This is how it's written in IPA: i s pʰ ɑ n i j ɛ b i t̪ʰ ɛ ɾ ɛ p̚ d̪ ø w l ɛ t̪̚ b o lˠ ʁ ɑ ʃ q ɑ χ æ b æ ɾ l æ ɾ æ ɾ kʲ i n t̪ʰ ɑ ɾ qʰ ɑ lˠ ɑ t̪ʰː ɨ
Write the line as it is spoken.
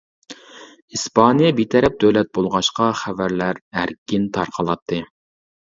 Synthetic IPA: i s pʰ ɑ n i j ɛ b i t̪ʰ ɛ ɾ ɛ p̚ d̪ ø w l ɛ t̪̚ b o lˠ ʁ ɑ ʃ q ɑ χ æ v æ ɾ l æ ɾ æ ɾ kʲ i n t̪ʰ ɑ ɾ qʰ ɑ lˠ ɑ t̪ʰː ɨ